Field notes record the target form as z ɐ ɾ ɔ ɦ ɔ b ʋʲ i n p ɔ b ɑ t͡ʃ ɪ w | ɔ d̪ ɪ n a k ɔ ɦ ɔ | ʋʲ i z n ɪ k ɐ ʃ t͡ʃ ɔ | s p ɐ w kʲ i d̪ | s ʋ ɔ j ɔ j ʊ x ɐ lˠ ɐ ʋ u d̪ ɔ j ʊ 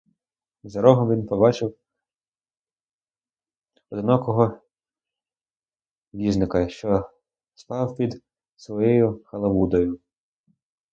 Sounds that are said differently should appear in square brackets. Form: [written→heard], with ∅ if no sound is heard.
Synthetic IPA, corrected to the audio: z ɐ ɾ ɔ ɦ ɔ [b→m] ʋʲ i n p ɔ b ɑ t͡ʃ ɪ w | ɔ d̪ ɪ n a k ɔ ɦ ɔ | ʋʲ i z n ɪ k ɐ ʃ t͡ʃ ɔ | s p [ɐ→ɑ] w [kʲ→pʲ] i d̪ | s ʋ ɔ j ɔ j ʊ x ɐ lˠ ɐ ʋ u d̪ ɔ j ʊ